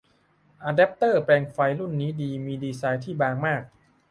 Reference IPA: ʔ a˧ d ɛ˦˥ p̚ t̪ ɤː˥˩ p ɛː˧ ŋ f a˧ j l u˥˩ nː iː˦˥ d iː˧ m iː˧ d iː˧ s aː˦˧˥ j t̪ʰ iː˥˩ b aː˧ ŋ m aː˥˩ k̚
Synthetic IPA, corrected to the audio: ʔ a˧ d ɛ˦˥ p̚ t̪ ɤː˥˩ p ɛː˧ ŋ f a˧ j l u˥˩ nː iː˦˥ d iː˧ m iː˧ d iː˧ s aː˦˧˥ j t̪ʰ iː˥˩ b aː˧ ŋ m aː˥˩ k̚